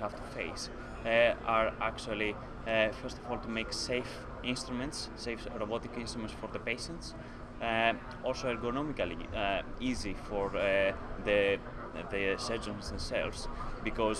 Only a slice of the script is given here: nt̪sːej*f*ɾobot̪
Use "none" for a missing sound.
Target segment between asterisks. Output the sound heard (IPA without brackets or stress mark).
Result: f